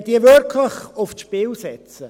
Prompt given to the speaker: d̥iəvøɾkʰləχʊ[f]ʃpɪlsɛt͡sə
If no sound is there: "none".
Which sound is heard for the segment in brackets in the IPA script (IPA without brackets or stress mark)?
f